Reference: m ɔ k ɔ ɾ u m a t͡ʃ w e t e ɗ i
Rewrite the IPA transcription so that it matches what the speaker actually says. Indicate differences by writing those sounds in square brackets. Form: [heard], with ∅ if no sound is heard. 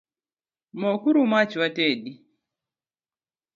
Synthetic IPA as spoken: m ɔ k [u] ɾ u m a t͡ʃ w [a] t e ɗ i